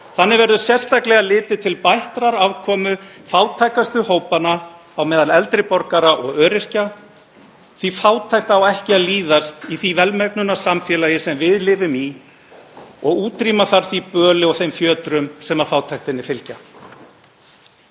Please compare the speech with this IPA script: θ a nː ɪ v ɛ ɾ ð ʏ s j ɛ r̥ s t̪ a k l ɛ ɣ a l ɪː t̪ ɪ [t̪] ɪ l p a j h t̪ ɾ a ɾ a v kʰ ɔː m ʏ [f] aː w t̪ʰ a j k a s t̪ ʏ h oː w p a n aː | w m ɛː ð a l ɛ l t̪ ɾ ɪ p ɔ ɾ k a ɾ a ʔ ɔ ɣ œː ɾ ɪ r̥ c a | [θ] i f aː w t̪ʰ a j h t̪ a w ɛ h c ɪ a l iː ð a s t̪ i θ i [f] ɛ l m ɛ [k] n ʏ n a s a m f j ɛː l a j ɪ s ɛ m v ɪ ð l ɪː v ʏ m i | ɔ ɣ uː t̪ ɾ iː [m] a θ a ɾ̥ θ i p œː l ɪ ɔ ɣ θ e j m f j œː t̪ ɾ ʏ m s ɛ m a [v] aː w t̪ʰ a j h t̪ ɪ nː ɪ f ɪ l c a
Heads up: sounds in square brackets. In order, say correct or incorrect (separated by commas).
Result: incorrect, correct, correct, incorrect, correct, correct, incorrect